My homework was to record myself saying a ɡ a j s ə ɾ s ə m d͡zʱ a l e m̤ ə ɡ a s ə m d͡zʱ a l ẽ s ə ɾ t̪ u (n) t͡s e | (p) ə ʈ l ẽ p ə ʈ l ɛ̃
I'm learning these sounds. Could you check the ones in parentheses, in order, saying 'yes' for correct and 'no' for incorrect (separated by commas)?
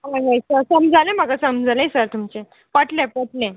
no, yes